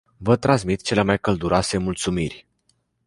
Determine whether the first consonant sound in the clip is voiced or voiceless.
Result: voiced